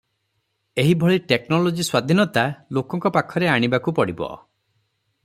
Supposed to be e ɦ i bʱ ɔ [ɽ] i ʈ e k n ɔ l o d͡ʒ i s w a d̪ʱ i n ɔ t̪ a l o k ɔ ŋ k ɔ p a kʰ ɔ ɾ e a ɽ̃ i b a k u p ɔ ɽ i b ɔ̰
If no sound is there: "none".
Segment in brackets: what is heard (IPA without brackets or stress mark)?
ɭ